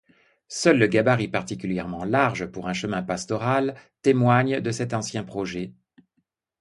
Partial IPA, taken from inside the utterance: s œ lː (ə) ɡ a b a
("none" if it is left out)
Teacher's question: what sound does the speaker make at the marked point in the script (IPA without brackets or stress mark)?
ə